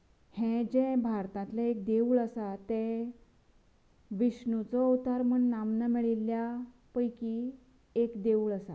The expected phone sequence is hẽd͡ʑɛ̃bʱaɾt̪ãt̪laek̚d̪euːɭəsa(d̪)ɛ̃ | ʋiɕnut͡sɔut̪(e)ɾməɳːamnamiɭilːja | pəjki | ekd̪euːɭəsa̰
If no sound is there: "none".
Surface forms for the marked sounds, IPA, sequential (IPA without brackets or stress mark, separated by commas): t̪, a